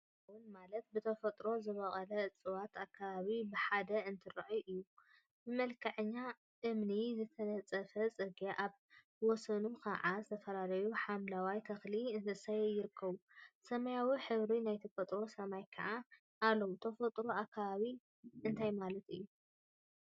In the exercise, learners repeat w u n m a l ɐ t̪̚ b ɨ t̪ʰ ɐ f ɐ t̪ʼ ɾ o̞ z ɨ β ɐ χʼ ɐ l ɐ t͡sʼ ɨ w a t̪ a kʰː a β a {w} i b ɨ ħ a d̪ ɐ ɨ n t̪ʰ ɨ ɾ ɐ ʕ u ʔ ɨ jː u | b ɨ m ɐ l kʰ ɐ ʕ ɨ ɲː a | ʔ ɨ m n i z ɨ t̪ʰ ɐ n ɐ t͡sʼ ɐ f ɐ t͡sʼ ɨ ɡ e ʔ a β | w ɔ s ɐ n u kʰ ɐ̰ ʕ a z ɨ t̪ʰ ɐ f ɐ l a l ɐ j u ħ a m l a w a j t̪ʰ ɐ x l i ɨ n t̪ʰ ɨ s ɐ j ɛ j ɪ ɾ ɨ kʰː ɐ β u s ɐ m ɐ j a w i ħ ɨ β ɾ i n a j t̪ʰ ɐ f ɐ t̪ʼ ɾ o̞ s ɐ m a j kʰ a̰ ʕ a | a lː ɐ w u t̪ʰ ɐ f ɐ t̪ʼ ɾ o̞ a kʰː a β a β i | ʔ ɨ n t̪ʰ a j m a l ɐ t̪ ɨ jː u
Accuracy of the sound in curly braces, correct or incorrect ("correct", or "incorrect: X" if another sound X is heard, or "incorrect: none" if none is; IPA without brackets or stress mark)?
incorrect: β